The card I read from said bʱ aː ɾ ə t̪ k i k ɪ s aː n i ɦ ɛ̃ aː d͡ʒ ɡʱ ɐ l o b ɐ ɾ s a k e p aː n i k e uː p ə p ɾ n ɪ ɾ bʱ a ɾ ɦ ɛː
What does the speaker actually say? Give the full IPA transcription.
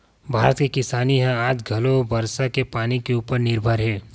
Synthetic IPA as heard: bʱ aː ɾ ə t̪ k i k ɪ s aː n i ɦ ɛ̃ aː d͡ʒ ɡʱ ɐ l o b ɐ ɾ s a k e p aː n i k e uː p ə ɾ n ɪ ɾ bʱ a ɾ ɦ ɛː